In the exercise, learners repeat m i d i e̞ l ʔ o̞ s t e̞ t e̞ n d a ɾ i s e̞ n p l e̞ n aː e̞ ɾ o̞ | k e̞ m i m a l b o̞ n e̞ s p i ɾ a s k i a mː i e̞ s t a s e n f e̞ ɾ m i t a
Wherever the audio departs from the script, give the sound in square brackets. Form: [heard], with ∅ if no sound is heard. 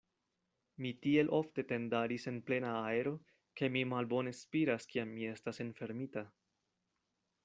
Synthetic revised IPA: m i [t] i e̞ l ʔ o̞ [f] t e̞ t e̞ n d a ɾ i s e̞ n p l e̞ n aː e̞ ɾ o̞ | k e̞ m i m a l b o̞ n e̞ s p i ɾ a s k i a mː i e̞ s t a s e n f e̞ ɾ m i t a